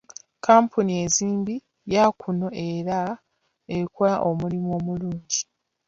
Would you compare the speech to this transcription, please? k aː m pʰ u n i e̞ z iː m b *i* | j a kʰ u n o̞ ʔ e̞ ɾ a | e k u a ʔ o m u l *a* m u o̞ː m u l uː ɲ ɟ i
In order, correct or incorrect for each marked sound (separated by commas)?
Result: correct, incorrect